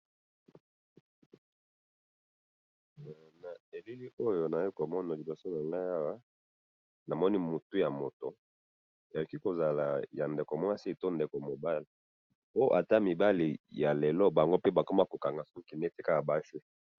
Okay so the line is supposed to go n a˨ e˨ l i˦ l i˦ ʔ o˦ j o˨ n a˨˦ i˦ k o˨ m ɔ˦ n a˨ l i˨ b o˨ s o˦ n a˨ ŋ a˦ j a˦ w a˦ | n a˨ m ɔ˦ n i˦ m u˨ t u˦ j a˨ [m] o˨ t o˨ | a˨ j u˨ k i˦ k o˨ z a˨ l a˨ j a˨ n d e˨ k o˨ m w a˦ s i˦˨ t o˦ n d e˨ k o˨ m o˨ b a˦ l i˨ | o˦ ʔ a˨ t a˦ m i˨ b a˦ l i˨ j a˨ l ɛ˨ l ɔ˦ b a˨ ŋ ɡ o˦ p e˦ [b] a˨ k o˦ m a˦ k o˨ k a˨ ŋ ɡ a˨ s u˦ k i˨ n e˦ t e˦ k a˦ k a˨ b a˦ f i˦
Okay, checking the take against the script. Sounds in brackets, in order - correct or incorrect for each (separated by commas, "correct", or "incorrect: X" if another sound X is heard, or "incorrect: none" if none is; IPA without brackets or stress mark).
correct, correct